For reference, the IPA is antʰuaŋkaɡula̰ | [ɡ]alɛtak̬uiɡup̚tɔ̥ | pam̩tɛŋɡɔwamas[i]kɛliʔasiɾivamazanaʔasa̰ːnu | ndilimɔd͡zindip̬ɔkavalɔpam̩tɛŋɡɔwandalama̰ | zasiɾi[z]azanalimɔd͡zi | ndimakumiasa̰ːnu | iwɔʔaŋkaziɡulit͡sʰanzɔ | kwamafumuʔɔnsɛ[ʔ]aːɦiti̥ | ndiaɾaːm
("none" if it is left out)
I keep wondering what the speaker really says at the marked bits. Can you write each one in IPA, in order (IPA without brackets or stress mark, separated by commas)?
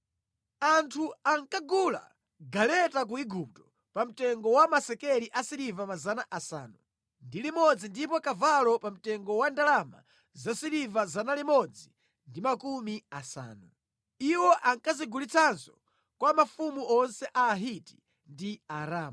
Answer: ɡ, ɛ, v, ʔ